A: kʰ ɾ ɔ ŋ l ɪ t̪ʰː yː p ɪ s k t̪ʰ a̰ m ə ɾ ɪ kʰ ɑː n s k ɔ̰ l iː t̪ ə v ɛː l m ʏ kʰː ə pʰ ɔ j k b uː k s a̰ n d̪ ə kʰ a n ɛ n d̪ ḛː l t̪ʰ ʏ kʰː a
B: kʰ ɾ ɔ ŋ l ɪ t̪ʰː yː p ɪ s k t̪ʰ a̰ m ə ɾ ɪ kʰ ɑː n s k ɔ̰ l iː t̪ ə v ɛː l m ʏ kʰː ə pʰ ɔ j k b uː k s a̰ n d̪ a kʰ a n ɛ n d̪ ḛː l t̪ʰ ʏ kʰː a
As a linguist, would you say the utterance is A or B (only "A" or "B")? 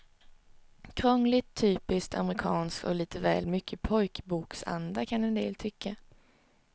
B